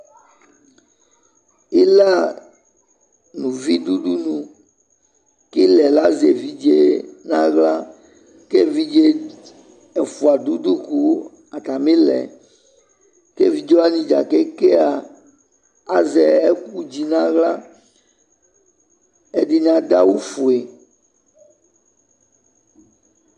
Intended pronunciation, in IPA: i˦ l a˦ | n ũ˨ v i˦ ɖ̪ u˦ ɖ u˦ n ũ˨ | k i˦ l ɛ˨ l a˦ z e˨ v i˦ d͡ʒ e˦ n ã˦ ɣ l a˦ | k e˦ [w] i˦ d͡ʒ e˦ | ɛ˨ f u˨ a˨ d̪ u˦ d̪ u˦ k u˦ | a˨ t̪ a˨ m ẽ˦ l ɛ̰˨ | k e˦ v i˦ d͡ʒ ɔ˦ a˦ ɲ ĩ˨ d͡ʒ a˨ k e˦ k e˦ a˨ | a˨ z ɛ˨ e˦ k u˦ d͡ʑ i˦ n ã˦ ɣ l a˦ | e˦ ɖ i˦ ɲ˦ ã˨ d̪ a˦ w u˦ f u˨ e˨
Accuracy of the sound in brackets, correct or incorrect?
incorrect